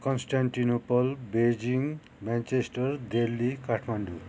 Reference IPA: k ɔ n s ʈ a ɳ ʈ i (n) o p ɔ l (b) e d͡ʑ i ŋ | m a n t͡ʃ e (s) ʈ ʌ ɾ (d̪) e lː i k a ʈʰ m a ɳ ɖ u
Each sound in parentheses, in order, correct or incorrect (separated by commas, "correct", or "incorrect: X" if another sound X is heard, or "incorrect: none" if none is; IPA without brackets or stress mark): correct, correct, correct, correct